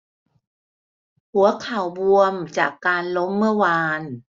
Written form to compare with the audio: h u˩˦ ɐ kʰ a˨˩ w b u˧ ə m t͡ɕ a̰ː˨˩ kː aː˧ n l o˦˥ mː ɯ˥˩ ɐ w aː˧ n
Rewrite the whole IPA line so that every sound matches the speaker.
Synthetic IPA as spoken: h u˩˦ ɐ kʰ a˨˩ w b u˧ ə m t͡ɕ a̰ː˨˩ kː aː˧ n l o˦˥ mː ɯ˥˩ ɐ w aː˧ n

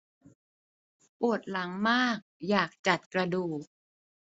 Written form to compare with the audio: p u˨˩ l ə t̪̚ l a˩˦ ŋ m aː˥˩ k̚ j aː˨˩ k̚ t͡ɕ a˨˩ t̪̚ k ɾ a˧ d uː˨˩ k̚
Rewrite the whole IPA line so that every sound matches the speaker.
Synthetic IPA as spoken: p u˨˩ ə t̪̚ l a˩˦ ŋ m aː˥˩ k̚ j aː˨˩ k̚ t͡ɕ a˨˩ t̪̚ k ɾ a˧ d uː˨˩ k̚

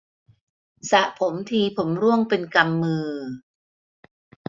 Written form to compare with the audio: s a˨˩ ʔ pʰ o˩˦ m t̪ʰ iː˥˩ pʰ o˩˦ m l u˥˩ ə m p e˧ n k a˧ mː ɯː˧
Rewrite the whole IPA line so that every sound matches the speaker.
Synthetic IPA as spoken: s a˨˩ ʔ pʰ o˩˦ m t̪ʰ iː˧ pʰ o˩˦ m ɾ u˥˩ ə ŋ p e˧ n k a˧ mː ɯː˧

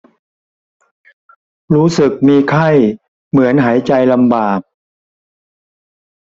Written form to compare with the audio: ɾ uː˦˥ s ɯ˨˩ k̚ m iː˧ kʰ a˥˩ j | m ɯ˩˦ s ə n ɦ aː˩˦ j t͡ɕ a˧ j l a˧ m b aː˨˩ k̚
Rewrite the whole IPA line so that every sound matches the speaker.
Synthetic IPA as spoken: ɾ uː˦˥ s ɯ˨˩ k̚ m iː˧ kʰ a˥˩ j | m ɯ˩˦ ə n ɦ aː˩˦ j t͡ɕ a˧ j l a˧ m b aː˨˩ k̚

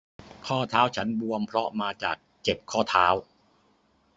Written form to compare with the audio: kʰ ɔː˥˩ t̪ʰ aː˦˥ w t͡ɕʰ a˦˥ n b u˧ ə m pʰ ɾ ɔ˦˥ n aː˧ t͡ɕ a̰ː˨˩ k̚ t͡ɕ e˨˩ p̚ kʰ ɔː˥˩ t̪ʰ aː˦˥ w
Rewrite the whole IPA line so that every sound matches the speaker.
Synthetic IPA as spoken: kʰ ɔː˥˩ t̪ʰ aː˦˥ w t͡ɕʰ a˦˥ n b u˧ ə m pʰ ɾ ɔ˦˥ m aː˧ t͡ɕ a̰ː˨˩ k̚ t͡ɕ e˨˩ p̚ kʰ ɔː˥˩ t̪ʰ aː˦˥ w

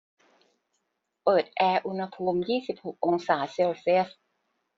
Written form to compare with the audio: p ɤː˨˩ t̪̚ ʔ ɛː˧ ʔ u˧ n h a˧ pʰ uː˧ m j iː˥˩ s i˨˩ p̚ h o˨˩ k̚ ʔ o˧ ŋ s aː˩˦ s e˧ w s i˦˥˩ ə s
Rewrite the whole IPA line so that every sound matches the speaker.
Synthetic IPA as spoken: p ɤː˨˩ t̪̚ ʔ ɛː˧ ʔ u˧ n h a˧ pʰ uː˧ m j iː˥˩ s i˨˩ p̚ h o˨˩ k̚ ʔ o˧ ŋ s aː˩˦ s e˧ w s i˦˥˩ ə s

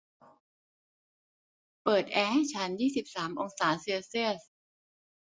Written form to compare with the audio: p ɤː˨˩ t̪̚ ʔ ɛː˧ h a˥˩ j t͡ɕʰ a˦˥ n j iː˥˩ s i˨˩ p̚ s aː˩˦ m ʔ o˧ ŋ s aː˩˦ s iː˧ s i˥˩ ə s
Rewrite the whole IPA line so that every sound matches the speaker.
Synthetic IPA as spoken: p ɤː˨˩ t̪̚ ʔ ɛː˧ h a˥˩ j t͡ɕʰ a˦˥ n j iː˥˩ s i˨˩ p̚ s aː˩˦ m ʔ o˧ ŋ s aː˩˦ s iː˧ s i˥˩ ə s

